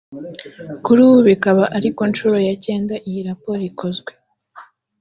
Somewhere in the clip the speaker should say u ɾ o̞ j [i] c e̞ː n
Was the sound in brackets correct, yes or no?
no